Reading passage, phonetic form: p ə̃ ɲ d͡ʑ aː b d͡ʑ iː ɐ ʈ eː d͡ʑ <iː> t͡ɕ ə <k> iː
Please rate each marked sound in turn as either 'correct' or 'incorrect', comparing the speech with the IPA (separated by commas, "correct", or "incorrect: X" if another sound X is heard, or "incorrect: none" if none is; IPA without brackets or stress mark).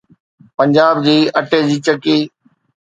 correct, correct